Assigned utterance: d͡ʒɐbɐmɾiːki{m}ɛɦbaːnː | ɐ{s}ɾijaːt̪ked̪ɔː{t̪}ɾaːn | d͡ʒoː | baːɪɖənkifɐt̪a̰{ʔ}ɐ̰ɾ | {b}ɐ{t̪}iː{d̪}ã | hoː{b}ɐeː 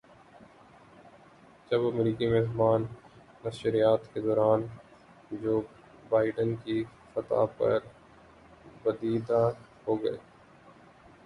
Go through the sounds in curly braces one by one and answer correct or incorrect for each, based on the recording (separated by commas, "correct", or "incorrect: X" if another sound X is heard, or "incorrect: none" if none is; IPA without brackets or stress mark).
correct, incorrect: ʃ, incorrect: none, incorrect: p, correct, incorrect: d̪, correct, incorrect: ɡ